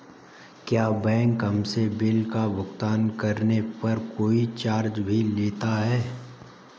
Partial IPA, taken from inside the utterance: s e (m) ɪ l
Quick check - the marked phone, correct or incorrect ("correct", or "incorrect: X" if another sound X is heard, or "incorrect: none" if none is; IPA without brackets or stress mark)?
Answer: incorrect: b